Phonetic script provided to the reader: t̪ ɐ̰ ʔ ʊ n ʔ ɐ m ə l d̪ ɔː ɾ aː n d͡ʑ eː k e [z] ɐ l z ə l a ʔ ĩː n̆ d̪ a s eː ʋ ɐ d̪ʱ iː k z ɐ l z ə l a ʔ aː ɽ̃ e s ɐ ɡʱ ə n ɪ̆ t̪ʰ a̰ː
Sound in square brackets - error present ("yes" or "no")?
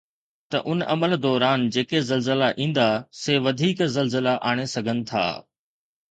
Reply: no